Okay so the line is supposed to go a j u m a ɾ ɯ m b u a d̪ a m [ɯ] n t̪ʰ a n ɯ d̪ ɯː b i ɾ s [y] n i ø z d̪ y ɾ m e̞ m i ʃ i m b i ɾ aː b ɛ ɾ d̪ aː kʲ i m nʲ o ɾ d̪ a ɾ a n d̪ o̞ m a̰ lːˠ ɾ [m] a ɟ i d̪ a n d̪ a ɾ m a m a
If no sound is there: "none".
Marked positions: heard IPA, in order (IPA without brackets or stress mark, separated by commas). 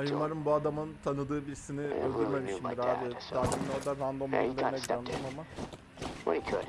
ɯ, i, n